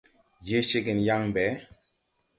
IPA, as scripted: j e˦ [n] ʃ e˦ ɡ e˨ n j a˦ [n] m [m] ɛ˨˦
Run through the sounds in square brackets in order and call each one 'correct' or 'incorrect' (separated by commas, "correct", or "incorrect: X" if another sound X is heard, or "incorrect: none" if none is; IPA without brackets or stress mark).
incorrect: none, incorrect: ŋ, incorrect: b